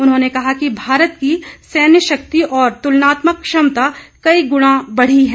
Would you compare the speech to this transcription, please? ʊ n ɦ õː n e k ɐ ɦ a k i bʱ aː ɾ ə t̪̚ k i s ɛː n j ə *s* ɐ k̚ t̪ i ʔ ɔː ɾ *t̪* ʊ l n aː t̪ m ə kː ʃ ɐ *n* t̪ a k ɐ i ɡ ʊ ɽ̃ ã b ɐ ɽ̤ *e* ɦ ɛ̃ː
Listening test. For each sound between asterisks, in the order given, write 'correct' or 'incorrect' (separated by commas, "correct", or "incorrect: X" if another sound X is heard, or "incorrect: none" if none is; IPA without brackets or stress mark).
incorrect: ʃ, correct, incorrect: m, incorrect: i